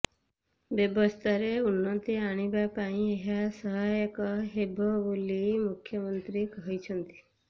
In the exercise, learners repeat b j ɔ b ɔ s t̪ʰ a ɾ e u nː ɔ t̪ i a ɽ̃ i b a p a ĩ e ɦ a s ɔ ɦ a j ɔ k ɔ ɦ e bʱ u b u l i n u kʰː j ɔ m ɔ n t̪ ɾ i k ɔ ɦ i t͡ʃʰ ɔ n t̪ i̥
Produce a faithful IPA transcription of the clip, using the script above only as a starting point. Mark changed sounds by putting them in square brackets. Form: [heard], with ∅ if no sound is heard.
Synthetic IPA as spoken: b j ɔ b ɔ s t̪ʰ a ɾ e u nː ɔ t̪ i a ɽ̃ i b a p a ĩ e ɦ a s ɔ ɦ a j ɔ k ɔ ɦ e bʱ [ɔ] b u l i [m] u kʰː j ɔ m ɔ n t̪ ɾ i k ɔ ɦ i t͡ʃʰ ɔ n t̪ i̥